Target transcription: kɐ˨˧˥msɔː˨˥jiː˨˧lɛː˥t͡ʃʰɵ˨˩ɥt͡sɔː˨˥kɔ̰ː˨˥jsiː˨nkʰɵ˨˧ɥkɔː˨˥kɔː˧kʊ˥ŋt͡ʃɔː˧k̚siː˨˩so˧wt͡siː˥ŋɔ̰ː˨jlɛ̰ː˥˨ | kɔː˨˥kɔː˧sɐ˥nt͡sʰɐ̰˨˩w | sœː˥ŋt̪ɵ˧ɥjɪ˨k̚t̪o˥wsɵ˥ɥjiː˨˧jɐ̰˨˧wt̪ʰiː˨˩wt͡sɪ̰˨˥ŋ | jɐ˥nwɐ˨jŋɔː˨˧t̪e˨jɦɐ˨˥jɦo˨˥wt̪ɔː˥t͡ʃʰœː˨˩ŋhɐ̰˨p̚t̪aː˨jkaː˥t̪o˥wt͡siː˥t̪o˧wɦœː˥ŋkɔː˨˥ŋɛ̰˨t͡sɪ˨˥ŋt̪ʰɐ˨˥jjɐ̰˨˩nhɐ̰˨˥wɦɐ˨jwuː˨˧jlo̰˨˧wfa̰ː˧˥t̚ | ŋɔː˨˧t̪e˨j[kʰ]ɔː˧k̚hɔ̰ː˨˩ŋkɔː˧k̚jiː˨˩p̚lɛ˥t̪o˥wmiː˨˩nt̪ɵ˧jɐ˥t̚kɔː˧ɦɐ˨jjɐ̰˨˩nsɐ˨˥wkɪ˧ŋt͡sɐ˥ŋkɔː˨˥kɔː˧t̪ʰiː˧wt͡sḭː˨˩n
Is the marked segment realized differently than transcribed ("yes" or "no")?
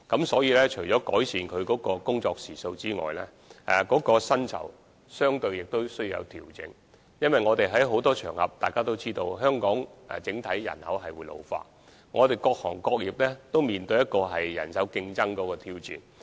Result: yes